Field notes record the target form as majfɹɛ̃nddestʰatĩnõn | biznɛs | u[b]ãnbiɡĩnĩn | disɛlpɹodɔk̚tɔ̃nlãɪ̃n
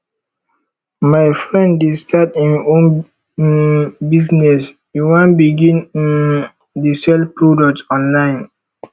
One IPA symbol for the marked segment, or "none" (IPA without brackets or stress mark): w